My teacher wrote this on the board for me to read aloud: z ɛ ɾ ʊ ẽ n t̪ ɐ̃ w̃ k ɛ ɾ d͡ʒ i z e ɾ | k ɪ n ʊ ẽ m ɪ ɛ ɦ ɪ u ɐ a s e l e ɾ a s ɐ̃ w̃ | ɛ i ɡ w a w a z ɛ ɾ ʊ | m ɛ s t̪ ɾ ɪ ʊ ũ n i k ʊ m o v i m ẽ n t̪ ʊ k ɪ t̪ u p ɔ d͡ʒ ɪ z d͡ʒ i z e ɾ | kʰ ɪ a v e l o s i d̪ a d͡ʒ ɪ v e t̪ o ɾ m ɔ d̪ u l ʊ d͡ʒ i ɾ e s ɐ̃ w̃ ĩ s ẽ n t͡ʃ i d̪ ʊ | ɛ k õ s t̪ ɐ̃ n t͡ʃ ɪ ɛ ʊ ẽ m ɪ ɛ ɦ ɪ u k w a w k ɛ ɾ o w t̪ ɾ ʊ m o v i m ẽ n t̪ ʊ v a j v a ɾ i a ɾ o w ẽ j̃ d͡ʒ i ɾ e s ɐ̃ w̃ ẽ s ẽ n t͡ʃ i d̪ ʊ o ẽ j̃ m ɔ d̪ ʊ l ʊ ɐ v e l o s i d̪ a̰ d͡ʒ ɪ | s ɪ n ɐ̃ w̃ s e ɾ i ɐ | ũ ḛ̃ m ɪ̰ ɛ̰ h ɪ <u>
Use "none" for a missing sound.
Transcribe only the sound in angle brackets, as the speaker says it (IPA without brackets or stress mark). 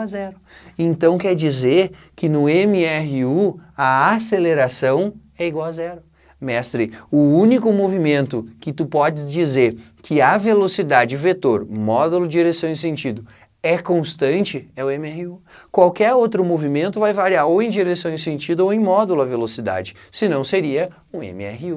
u